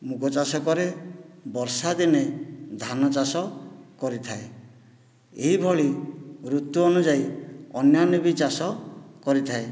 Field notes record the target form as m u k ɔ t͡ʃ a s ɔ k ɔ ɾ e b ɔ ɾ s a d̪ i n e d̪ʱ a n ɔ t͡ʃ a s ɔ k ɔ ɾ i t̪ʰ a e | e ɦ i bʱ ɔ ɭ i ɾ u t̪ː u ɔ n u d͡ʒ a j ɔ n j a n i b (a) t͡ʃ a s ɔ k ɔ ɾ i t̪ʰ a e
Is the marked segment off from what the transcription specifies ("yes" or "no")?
yes